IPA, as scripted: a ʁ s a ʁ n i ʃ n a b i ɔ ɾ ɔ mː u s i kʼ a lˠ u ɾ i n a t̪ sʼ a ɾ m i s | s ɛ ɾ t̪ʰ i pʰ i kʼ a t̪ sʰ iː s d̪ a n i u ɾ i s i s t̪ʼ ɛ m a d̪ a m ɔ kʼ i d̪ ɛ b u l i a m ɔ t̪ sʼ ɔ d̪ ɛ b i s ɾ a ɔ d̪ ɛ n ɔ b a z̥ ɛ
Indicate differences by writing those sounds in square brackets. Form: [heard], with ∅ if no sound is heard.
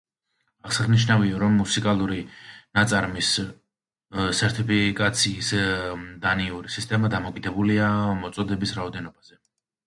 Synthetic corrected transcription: a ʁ s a ʁ n i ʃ n a [v] i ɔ ɾ ɔ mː u s i kʼ a lˠ u ɾ i n a t̪ sʼ a ɾ m i s | s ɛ ɾ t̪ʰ i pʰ i kʼ a t̪ sʰ iː s d̪ a n i u ɾ i s i s t̪ʼ ɛ m a d̪ a m ɔ kʼ i d̪ ɛ b u l i a m ɔ t̪ sʼ ɔ d̪ ɛ b i s ɾ a ɔ d̪ ɛ n ɔ b a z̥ ɛ

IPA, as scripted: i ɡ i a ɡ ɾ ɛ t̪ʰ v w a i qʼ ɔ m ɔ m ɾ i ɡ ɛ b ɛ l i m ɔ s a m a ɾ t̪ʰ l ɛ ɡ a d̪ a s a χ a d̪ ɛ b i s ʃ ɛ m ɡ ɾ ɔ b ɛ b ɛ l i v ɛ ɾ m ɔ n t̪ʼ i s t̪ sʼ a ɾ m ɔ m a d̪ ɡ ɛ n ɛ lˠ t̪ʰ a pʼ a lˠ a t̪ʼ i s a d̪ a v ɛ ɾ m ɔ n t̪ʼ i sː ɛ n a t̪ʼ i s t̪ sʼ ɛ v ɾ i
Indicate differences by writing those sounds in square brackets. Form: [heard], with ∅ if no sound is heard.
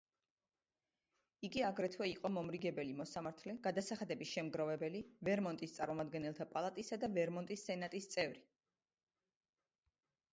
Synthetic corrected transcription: i ɡ i a ɡ ɾ ɛ t̪ʰ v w [ɛ] i qʼ ɔ m ɔ m ɾ i ɡ ɛ b ɛ l i m ɔ s a m a ɾ t̪ʰ l ɛ ɡ a d̪ a s a χ a d̪ ɛ b i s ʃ ɛ m ɡ ɾ ɔ [v] ɛ b ɛ l i v ɛ ɾ m ɔ n t̪ʼ i s t̪ sʼ a ɾ m ɔ m a d̪ ɡ ɛ n ɛ lˠ t̪ʰ a pʼ a lˠ a t̪ʼ i s a d̪ a v ɛ ɾ m ɔ n t̪ʼ i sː ɛ n a t̪ʼ i s t̪ sʼ ɛ v ɾ i

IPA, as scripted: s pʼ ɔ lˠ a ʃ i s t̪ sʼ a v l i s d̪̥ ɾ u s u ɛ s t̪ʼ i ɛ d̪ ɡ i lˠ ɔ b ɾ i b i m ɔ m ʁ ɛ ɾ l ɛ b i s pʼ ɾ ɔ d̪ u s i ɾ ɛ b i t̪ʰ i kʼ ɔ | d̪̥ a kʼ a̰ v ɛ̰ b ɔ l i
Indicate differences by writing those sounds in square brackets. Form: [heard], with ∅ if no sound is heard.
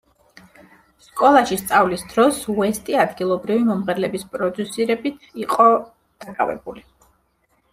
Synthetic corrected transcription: s [kʼ] ɔ lˠ a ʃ i s t̪ sʼ a v l i s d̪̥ ɾ [ɔ] s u ɛ s t̪ʼ i [a] d̪ ɡ i lˠ ɔ b ɾ i [v] i m ɔ m ʁ ɛ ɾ l ɛ b i s pʼ ɾ ɔ d̪ u s i ɾ ɛ b i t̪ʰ i [qʼ] ɔ | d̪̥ a kʼ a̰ v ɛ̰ b [u] l i

